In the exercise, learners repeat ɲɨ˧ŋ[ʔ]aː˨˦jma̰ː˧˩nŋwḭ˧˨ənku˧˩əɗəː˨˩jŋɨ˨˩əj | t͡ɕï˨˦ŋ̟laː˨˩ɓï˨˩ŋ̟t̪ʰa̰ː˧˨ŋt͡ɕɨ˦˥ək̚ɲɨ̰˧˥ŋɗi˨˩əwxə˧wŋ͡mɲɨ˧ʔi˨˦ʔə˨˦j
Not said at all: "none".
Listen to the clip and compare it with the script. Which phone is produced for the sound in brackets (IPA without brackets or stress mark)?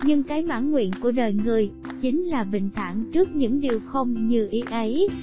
k